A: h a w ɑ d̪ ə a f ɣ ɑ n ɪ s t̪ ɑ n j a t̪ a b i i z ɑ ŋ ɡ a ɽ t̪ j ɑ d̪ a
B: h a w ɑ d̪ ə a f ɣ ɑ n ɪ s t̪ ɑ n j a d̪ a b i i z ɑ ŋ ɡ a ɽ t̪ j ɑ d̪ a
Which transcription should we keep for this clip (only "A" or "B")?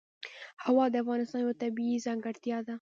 A